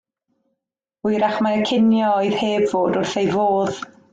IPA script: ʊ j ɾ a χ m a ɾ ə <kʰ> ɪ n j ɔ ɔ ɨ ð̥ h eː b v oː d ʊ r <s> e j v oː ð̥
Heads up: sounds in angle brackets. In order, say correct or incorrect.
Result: correct, incorrect

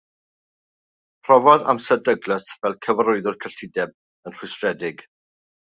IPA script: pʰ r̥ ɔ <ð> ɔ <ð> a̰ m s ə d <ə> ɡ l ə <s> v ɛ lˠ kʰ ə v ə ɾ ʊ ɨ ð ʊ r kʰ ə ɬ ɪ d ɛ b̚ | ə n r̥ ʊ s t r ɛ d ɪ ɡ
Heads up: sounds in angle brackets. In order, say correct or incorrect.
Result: incorrect, correct, correct, correct

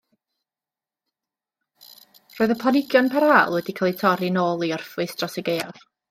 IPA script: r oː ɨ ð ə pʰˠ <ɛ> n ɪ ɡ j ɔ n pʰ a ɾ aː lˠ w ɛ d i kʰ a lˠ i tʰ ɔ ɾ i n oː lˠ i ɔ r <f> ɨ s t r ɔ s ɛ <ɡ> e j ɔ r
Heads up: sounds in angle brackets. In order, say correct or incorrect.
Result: incorrect, correct, correct

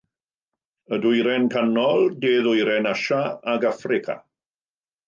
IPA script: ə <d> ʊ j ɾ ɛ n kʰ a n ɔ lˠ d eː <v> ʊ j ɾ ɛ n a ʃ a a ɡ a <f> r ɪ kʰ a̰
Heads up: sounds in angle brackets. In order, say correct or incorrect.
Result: correct, incorrect, correct

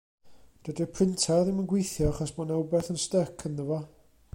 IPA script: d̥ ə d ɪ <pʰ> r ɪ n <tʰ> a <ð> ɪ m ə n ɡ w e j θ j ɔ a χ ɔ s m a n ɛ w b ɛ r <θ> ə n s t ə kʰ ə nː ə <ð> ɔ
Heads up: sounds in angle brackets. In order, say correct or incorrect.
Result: correct, correct, correct, correct, incorrect

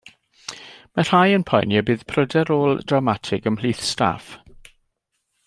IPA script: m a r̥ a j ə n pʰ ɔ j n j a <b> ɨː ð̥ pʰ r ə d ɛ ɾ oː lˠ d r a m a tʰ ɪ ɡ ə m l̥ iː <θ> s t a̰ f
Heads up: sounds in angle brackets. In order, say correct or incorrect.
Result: correct, correct

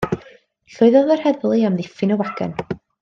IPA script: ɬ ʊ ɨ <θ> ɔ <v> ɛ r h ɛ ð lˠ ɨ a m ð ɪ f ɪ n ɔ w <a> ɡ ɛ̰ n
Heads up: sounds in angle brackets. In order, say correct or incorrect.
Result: incorrect, incorrect, correct

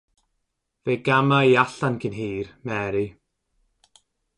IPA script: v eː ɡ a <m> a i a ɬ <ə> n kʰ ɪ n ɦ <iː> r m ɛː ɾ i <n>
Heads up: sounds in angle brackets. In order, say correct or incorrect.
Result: correct, incorrect, correct, incorrect

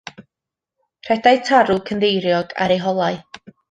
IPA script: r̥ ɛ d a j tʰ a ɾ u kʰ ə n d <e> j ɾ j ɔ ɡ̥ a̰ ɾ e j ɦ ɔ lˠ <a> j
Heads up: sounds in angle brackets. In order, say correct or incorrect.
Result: correct, correct

